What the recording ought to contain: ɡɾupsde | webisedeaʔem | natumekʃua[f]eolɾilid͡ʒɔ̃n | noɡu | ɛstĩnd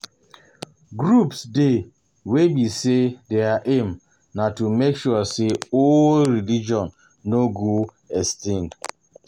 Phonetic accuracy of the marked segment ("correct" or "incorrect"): incorrect